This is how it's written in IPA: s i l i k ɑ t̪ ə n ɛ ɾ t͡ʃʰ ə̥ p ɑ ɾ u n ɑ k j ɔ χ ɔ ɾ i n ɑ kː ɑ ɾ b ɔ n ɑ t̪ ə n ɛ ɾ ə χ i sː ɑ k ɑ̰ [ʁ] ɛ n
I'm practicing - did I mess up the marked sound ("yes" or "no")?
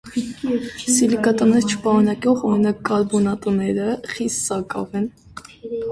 yes